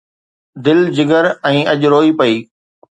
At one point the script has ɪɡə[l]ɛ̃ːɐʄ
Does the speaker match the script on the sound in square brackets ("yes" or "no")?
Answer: no